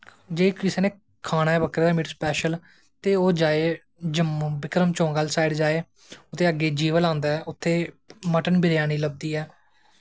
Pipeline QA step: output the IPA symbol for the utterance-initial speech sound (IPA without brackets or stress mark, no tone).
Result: d͡ʒ